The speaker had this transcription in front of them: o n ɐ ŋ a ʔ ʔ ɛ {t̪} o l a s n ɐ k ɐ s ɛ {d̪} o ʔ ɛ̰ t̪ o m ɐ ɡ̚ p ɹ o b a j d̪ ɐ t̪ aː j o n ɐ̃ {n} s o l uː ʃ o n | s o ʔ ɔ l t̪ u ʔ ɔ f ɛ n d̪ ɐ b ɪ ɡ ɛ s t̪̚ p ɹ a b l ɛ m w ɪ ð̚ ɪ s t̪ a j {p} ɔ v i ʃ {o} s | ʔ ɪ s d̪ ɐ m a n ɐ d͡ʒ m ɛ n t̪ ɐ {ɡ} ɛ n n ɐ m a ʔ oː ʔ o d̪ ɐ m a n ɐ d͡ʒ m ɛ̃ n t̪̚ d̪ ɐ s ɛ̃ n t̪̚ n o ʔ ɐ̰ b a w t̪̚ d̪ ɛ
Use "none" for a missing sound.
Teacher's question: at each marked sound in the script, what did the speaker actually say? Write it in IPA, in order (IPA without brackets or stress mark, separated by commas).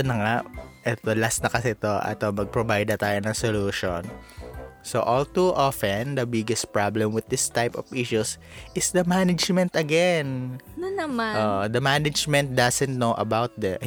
t̪, t̪, ŋ, p, u, ɡ